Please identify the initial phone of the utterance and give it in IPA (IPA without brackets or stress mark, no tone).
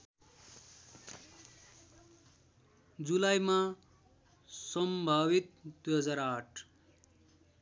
d͡z